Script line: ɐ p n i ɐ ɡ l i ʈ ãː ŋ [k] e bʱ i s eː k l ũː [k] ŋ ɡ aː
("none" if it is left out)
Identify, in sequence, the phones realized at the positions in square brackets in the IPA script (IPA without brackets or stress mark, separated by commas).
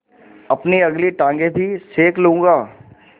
ɡ, none